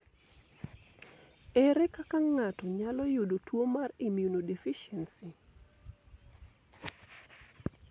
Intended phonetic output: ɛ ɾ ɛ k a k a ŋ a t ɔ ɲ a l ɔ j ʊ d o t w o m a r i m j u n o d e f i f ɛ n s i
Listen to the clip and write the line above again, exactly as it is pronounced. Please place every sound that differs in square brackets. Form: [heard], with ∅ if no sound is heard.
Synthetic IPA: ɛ ɾ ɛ k a k a ŋ a t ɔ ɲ a l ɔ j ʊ d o t w o m a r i m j u n o d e f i [ʃ] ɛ n s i